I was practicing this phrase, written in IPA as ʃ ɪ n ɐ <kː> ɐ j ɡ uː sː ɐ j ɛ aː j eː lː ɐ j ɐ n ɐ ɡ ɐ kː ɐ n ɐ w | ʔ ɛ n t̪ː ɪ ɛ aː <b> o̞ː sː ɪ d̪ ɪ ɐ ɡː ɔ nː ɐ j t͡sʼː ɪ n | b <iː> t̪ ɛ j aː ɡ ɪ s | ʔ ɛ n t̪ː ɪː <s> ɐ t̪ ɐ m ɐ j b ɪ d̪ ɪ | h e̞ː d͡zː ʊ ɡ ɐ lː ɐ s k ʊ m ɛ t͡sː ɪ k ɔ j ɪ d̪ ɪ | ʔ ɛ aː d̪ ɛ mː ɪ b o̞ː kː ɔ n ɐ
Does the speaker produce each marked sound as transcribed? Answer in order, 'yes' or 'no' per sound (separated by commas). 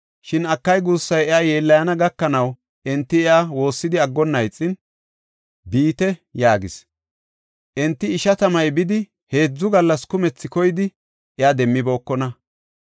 yes, no, yes, no